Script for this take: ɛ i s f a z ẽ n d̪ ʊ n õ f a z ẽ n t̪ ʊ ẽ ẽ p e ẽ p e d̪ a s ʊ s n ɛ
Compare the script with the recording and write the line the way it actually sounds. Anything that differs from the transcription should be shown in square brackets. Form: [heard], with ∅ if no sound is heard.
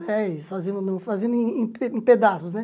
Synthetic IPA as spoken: ɛ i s f a z ẽ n d̪ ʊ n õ f a z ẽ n [d̪] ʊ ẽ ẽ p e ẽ p e d̪ a s ʊ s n ɛ